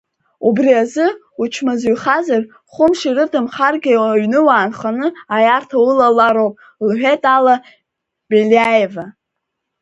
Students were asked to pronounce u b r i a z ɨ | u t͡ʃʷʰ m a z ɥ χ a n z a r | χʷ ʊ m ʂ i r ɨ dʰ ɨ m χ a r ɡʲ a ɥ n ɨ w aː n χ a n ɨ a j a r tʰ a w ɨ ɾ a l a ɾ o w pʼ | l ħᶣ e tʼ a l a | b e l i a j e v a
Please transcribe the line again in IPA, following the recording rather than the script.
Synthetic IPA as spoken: u b r i a z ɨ | u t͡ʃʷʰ m a z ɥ χ a z a r | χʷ ʊ m ʂ i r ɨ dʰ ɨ m χ a r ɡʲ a ɥ n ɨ w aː n χ a n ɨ a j a r tʰ a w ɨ l a l a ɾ o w pʼ | l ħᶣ e tʼ a l a | b e l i a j e v a

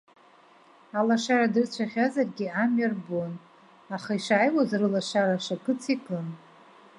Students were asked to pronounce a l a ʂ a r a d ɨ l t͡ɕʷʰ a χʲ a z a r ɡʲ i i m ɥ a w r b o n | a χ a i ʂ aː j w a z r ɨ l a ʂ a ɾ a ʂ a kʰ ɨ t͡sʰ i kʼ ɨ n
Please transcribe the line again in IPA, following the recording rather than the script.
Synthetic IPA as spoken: a l a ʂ a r a d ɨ r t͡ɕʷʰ a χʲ a z a r ɡʲ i a m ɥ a r b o n | a χ a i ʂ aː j w a z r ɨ l a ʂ a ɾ a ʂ a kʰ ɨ t͡sʰ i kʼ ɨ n

